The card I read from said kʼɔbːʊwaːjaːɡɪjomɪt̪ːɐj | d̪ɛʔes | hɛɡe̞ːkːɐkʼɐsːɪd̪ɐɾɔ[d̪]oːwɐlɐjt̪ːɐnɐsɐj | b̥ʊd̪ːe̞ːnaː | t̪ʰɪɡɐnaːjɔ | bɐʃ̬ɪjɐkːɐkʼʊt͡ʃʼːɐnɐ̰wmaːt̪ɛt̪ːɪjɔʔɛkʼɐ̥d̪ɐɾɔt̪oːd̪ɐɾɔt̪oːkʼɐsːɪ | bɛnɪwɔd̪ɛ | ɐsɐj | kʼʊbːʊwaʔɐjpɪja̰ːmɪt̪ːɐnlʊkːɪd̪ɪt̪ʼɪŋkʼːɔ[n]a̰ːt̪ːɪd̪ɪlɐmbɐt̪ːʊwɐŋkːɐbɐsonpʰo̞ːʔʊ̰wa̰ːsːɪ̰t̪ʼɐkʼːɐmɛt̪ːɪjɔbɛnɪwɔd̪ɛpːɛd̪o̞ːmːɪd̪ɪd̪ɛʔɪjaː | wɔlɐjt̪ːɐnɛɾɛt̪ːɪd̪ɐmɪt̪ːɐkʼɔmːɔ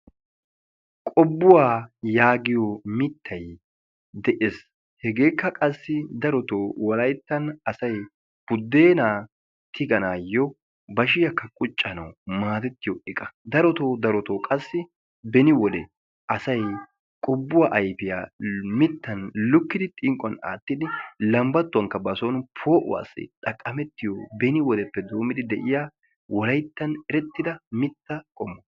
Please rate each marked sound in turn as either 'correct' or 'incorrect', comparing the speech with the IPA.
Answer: incorrect: t̪, correct

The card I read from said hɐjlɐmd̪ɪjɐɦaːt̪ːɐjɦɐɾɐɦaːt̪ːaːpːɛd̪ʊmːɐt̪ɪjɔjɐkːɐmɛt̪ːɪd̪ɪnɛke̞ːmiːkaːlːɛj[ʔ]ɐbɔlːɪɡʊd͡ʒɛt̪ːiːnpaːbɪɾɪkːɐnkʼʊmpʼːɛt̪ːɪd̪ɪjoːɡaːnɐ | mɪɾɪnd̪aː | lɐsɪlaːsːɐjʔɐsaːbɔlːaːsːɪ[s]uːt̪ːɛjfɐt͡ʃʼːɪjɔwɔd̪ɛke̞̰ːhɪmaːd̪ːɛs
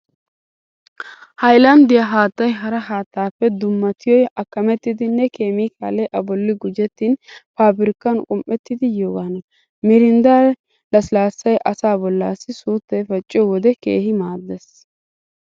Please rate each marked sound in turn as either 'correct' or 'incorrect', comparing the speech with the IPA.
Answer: correct, correct

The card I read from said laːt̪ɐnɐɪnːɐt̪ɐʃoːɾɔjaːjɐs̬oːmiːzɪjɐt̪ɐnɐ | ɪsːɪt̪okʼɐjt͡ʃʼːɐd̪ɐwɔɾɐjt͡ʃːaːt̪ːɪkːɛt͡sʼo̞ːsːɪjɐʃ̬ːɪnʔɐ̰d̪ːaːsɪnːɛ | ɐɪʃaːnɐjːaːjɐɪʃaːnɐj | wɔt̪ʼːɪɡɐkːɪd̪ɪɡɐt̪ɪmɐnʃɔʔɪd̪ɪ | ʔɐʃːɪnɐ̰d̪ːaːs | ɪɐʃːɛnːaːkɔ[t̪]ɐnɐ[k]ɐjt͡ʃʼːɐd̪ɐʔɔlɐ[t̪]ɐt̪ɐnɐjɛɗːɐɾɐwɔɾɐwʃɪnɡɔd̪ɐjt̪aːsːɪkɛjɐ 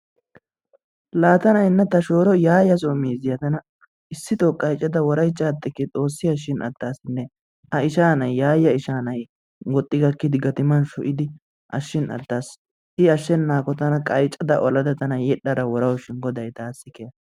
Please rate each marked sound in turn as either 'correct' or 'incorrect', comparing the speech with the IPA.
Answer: correct, incorrect: kʼ, incorrect: d̪

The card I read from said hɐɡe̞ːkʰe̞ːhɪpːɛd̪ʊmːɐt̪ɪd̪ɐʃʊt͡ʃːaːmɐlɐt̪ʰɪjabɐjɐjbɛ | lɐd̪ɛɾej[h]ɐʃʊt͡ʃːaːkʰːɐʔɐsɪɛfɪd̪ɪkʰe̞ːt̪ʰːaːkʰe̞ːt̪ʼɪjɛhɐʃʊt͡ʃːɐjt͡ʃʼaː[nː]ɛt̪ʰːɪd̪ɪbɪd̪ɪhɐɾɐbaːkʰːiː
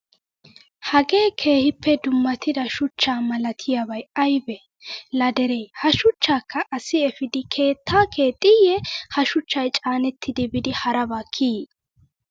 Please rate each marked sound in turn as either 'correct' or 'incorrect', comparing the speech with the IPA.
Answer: correct, incorrect: n

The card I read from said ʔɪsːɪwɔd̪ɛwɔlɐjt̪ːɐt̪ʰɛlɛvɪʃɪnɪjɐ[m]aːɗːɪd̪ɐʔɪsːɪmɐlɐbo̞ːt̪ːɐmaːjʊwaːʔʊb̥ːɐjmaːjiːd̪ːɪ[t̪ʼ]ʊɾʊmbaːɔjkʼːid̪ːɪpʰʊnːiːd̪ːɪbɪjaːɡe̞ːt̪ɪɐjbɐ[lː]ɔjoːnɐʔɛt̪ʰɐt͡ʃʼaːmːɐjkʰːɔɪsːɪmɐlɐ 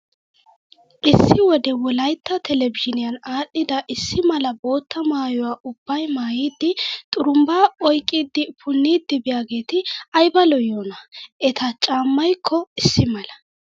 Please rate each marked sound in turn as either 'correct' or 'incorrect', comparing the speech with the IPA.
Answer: incorrect: n, correct, incorrect: l

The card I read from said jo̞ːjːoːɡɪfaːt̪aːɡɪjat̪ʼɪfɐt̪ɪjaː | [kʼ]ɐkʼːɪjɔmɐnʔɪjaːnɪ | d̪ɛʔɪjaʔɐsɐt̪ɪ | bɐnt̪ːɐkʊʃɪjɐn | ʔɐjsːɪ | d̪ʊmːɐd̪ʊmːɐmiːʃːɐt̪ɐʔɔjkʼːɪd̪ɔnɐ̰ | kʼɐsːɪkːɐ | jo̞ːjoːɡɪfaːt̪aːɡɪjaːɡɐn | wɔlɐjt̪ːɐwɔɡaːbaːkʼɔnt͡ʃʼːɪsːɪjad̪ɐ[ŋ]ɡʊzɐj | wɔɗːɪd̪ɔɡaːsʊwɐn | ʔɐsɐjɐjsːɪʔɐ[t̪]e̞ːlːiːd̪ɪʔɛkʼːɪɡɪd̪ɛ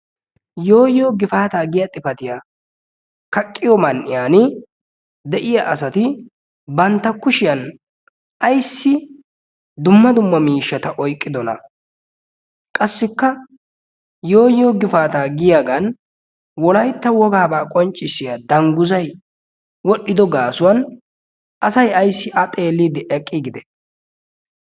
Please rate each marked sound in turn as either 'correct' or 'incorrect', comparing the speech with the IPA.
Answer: incorrect: k, correct, incorrect: t̪ʼ

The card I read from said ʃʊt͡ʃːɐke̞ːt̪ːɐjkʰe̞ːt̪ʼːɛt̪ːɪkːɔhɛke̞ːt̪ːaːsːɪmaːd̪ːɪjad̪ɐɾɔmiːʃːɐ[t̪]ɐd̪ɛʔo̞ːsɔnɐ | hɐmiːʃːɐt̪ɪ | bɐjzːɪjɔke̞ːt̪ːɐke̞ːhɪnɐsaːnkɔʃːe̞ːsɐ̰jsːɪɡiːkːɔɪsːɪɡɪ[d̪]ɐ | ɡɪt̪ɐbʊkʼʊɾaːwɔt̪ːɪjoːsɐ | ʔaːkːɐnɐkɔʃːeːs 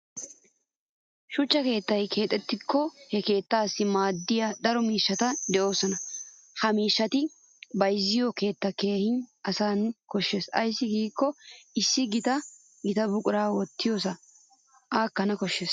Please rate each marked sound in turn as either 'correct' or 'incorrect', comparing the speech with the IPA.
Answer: correct, incorrect: t̪

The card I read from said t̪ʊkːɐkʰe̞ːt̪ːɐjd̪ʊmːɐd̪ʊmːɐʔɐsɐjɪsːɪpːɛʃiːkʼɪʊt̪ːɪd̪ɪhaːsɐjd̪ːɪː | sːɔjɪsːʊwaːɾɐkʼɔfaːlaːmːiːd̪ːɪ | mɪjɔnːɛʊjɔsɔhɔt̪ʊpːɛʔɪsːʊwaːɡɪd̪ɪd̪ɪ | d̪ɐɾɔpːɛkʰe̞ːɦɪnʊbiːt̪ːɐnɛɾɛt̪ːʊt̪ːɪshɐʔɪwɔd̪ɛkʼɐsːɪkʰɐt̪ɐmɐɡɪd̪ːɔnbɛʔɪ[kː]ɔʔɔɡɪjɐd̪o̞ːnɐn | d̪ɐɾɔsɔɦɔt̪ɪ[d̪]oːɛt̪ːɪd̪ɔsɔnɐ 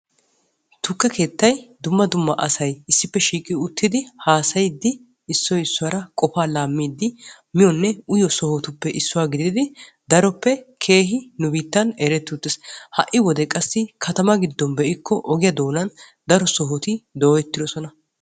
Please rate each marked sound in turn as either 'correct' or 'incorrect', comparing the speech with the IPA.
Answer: correct, correct

